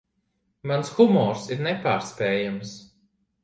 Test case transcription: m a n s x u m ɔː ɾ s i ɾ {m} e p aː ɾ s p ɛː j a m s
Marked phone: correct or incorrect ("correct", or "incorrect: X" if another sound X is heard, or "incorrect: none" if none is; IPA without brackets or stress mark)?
incorrect: n